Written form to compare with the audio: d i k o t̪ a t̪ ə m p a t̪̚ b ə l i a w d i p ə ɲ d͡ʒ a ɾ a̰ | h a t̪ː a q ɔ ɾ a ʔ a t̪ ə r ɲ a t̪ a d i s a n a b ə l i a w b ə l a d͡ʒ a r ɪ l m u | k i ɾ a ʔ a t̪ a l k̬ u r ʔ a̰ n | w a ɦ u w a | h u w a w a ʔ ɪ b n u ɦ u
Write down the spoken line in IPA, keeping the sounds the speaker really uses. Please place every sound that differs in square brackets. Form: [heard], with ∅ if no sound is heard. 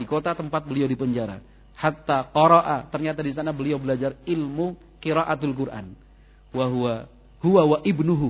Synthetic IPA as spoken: d i k o t̪ a t̪ ə m p a t̪̚ b ə l i a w d i p ə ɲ d͡ʒ a ɾ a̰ | h a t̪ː a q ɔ ɾ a ʔ a t̪ ə r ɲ a t̪ a d i s a n a b ə l i a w b ə l a d͡ʒ a r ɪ l m u | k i ɾ a ʔ a t̪ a l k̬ u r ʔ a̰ n | w a ɦ u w a | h u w a w a ʔ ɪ b n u ɦ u